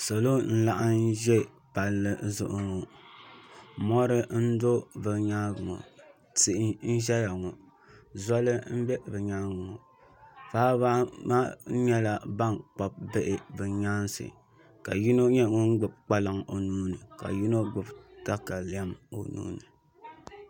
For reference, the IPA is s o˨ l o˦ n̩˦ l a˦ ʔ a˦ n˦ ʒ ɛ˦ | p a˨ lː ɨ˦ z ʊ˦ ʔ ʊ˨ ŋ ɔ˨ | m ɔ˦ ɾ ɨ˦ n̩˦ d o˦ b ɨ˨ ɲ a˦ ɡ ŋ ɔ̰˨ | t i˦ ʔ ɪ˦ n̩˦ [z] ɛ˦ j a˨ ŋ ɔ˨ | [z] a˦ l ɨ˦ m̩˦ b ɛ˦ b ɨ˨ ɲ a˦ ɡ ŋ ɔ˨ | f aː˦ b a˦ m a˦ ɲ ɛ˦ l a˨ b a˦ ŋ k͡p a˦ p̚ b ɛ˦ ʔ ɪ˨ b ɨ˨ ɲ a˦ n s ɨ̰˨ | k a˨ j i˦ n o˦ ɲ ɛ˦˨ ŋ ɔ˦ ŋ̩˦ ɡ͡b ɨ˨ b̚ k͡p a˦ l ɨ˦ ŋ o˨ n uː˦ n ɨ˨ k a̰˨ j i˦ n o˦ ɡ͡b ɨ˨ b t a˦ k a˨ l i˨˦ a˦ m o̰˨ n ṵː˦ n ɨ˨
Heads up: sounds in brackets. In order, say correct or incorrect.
incorrect: ʒ, correct

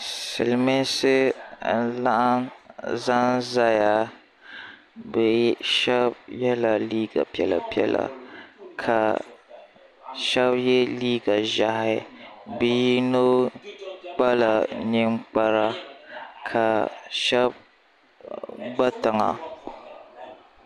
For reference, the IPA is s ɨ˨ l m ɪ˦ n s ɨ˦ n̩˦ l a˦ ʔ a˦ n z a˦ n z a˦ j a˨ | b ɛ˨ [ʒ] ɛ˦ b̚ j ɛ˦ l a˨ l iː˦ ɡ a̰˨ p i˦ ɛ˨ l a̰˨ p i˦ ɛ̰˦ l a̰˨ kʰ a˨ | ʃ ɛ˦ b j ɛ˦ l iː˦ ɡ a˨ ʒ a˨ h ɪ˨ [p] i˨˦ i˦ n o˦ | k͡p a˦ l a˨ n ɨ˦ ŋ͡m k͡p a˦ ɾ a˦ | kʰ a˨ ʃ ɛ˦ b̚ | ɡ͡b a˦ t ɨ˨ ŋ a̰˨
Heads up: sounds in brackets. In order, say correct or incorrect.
incorrect: ʃ, incorrect: b

